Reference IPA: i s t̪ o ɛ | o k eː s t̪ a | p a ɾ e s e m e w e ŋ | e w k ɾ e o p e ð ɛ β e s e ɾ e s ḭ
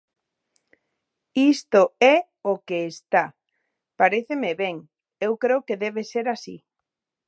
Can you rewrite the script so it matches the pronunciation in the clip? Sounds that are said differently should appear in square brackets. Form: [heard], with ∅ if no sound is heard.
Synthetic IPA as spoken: i s t̪ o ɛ | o k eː s t̪ a | p a ɾ e [θ] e m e [β] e ŋ | e w k ɾ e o [k] e ð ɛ β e s e ɾ [a] s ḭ